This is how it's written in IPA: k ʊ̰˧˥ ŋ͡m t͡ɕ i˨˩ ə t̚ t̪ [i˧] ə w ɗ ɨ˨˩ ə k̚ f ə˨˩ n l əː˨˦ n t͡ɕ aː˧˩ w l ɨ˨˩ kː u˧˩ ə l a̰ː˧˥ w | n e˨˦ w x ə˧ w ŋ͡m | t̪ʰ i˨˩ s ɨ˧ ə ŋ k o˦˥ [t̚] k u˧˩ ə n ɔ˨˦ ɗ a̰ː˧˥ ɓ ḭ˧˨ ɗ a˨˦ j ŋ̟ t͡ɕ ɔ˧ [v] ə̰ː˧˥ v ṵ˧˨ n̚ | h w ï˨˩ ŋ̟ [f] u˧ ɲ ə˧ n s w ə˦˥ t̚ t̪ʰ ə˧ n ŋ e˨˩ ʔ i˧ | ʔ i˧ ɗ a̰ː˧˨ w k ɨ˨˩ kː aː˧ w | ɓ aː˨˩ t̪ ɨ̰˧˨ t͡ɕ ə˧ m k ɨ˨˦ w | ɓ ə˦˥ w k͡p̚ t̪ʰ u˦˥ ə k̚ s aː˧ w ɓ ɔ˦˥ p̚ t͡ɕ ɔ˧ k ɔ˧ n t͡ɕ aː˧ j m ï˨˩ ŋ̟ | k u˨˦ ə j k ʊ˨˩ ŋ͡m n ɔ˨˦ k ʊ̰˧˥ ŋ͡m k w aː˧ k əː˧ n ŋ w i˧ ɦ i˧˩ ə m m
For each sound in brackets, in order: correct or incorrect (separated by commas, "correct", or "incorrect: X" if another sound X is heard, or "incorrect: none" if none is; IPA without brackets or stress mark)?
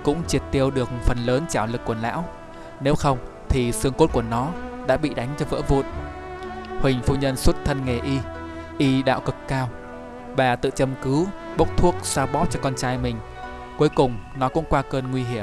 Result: correct, correct, correct, correct